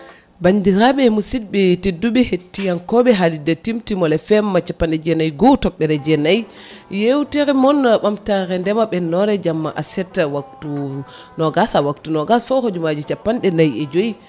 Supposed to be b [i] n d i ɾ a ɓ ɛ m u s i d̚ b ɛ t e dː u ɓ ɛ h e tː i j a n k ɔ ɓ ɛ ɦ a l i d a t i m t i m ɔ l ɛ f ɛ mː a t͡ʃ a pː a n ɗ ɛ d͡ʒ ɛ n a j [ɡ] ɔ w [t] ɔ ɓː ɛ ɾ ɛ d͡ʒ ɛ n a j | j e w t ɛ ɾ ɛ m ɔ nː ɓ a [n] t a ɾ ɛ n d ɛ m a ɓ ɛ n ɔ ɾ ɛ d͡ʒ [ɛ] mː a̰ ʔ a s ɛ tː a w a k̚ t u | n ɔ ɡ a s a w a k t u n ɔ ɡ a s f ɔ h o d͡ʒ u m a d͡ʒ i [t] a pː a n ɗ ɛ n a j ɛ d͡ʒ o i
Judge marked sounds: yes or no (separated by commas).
no, yes, yes, no, no, no